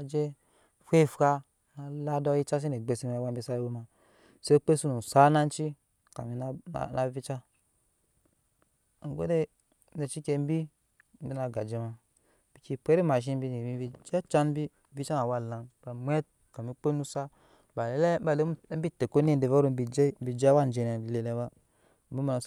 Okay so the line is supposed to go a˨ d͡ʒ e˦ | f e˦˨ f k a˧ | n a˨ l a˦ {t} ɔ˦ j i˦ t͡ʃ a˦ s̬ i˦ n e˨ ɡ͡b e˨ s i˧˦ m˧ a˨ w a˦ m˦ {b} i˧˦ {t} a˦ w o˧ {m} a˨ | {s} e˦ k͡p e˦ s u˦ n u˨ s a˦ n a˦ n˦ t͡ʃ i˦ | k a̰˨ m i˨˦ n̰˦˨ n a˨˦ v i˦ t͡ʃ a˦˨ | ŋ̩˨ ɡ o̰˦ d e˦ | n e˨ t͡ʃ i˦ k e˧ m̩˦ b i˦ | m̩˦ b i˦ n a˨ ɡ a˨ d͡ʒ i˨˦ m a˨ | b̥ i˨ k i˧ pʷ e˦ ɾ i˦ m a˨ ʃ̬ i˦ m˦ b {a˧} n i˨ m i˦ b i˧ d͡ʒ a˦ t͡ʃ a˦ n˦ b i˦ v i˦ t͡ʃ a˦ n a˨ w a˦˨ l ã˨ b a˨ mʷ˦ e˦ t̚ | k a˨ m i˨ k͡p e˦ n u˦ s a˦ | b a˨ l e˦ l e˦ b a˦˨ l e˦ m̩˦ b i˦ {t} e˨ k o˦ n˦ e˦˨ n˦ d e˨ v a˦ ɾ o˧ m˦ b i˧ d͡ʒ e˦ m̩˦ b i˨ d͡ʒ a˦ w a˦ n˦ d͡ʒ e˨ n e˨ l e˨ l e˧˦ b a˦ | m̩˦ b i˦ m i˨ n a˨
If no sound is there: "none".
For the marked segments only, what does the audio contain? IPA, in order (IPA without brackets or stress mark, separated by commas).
d, b, s, m, s, i˧, t